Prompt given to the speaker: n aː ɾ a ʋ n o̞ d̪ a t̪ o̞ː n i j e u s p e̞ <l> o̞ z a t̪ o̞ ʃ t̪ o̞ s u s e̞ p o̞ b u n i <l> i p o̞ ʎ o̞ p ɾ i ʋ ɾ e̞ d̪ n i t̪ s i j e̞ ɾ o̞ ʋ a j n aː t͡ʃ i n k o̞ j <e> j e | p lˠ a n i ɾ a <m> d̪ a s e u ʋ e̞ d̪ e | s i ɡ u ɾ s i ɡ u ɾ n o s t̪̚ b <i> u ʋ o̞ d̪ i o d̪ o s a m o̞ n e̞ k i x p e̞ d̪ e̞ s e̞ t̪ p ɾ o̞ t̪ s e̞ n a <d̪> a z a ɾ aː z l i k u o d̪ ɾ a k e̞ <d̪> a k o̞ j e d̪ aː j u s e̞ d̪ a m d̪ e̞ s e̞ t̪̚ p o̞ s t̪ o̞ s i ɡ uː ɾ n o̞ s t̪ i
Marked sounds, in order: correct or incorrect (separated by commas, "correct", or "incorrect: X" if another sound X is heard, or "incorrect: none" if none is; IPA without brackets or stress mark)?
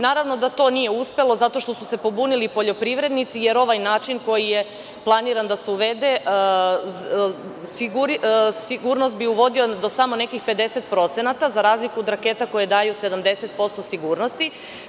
correct, correct, incorrect: i, incorrect: n, correct, incorrect: t̪, incorrect: t̪